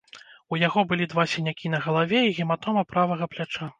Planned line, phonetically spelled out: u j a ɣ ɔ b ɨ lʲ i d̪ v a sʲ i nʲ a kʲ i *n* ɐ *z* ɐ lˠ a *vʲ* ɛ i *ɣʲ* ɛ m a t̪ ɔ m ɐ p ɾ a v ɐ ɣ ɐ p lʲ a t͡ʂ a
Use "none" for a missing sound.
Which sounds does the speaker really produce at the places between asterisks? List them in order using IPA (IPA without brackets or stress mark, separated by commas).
n, ɣ, vʲ, ɣʲ